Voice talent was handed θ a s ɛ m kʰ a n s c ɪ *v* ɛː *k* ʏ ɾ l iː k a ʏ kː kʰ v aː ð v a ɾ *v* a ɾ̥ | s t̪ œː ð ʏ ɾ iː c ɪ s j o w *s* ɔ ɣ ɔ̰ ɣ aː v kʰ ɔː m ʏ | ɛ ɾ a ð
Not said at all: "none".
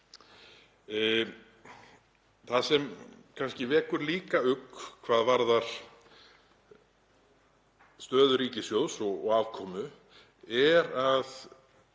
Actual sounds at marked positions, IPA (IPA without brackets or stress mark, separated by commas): v, k, ð, s